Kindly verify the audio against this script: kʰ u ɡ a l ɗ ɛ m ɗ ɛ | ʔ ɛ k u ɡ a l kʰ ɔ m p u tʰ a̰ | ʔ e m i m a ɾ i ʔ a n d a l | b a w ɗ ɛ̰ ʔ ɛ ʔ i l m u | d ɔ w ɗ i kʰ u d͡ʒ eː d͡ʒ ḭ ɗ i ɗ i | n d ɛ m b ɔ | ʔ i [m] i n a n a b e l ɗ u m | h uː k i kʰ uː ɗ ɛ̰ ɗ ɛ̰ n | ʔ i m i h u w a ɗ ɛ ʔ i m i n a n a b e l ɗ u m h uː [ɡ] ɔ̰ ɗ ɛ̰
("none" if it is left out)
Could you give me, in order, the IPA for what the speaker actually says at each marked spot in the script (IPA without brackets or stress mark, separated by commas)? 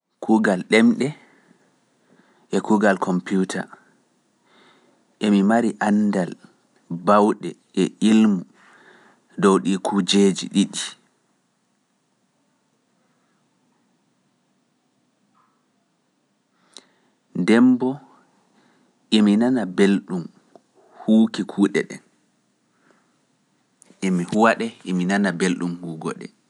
m, ɡ